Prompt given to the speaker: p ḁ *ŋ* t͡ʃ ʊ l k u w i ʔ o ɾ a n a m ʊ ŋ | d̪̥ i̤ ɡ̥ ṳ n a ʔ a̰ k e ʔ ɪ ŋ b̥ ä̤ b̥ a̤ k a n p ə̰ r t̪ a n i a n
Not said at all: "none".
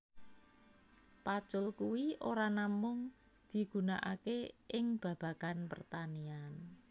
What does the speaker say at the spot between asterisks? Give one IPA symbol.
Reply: none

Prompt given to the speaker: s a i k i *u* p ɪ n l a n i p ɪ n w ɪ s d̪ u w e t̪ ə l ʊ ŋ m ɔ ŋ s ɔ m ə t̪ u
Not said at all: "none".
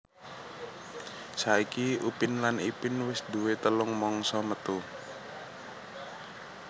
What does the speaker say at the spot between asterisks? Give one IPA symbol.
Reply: u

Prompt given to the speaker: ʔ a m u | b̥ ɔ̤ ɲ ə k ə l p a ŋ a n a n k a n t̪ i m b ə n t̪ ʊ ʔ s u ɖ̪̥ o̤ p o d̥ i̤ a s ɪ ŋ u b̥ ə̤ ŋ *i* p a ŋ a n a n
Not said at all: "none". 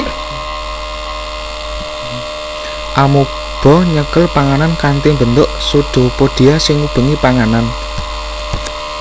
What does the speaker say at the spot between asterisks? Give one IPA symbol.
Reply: i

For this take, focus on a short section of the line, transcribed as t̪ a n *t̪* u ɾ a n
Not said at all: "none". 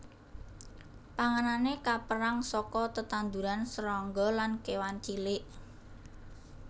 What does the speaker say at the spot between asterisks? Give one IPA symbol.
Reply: d̪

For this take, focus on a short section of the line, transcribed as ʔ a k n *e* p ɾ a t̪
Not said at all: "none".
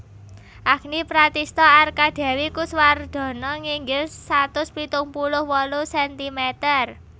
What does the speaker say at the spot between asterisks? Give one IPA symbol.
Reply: i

